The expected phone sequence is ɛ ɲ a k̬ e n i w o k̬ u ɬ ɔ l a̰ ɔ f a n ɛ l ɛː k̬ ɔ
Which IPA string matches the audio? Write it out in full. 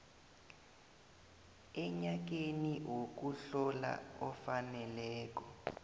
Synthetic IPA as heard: ɛ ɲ a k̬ e n i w o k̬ u ɬ ɔ l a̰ ɔ f a n ɛ l ɛː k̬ ɔ